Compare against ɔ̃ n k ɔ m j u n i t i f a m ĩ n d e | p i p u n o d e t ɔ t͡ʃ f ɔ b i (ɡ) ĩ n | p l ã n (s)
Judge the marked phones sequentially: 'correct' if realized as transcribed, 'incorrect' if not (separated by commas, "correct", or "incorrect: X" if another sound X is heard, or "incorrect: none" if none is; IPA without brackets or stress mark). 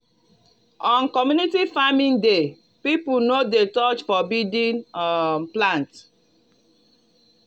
incorrect: d, incorrect: t